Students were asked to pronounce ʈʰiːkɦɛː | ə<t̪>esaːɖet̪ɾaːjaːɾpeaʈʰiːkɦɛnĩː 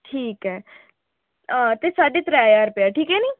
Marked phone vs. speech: correct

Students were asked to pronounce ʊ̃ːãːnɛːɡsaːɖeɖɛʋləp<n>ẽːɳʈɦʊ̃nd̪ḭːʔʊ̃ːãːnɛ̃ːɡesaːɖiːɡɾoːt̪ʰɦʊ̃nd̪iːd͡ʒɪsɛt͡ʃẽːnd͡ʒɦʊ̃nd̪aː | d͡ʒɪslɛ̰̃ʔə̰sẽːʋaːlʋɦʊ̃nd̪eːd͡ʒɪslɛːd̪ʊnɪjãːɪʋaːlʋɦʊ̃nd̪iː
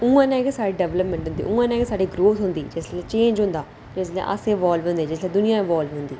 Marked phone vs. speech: incorrect: m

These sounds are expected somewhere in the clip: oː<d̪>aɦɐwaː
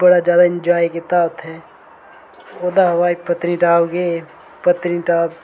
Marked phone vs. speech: correct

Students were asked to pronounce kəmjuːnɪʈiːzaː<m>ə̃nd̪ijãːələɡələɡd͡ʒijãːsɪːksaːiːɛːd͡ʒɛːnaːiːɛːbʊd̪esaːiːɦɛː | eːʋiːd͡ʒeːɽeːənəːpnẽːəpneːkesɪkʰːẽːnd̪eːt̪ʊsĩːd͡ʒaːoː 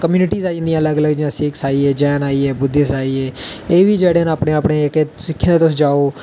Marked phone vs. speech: incorrect: none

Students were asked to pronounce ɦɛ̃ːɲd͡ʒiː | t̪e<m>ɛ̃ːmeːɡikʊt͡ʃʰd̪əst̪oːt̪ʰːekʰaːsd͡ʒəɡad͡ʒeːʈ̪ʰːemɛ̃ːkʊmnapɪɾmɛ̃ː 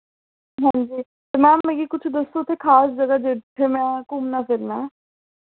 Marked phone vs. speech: correct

